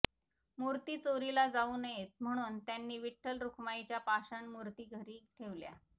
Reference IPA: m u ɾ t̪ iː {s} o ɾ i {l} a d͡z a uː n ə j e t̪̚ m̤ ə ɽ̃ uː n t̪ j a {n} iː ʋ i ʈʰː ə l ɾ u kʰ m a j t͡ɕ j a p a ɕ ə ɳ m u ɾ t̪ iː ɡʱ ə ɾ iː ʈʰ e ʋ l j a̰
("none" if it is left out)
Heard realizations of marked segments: t͡s, l, nː

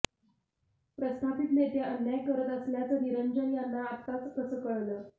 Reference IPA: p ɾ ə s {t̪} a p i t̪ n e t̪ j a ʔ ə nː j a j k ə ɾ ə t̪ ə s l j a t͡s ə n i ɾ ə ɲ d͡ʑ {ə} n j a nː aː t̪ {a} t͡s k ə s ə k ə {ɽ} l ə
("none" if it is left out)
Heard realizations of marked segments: t̪ʰ, ə, a, ɭ

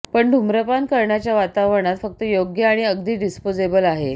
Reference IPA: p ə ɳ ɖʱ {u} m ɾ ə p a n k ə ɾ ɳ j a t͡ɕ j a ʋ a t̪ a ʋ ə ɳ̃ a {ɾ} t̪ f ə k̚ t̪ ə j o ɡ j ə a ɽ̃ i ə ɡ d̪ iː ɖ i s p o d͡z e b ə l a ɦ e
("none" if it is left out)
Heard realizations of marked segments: u, none

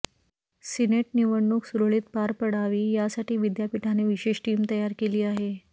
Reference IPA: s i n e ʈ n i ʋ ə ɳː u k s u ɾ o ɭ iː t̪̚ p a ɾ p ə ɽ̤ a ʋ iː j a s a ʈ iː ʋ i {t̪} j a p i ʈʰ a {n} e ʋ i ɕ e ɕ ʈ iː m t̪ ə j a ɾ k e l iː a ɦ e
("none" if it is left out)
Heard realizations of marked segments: d̪, n

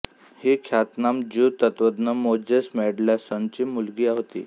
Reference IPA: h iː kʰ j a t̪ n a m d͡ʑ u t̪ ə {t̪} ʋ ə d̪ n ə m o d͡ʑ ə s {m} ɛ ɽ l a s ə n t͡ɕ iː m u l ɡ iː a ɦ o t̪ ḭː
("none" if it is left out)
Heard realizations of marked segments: t̪, m

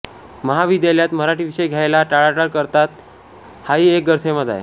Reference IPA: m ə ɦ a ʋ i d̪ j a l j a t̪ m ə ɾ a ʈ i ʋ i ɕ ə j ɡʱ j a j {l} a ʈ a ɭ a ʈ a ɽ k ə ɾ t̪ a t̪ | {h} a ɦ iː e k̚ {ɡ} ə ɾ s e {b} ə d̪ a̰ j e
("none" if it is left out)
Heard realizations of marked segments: l, h, ɡ, m

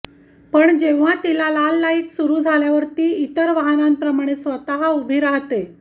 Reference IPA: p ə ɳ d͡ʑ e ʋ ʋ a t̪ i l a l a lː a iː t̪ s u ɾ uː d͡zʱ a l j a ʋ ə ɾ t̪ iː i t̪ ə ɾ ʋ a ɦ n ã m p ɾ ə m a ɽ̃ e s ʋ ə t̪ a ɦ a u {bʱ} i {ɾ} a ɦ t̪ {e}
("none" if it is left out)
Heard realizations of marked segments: bʱ, ɾ, e

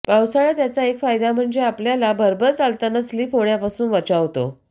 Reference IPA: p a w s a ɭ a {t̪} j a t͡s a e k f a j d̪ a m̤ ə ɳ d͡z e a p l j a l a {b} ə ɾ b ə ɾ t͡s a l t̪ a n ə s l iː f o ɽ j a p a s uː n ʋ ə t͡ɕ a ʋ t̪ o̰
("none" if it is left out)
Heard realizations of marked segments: t̪, b

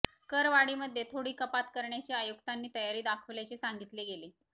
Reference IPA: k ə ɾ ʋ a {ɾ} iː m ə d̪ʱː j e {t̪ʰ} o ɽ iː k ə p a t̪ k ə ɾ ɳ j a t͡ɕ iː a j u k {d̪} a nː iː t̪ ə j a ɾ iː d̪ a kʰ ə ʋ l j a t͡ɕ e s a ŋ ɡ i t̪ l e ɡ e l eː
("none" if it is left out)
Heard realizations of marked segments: ɽ, t̪ʰ, t̪

